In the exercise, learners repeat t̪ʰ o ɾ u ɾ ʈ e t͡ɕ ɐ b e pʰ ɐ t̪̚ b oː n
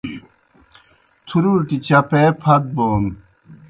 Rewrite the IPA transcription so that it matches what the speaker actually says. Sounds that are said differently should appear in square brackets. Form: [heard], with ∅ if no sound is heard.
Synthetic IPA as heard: t̪ʰ [u] ɾ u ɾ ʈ [i] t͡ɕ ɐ [p] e pʰ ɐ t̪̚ b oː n